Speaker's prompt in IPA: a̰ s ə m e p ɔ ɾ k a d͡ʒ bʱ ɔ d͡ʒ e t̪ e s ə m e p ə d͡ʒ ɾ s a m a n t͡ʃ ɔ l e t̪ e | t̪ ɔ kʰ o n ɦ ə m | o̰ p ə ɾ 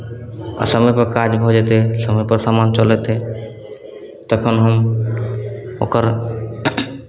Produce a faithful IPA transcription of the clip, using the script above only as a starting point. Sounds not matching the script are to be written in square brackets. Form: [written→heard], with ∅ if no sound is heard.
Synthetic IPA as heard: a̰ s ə m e p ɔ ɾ k a d͡ʒ bʱ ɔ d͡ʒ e t̪ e s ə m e p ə [d͡ʒ→∅] ɾ s a m a n t͡ʃ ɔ l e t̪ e | t̪ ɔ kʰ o n ɦ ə m | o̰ [p→k] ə ɾ